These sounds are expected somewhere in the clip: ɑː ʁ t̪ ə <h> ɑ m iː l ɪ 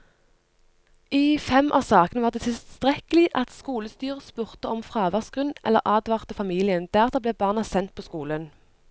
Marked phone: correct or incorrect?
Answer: incorrect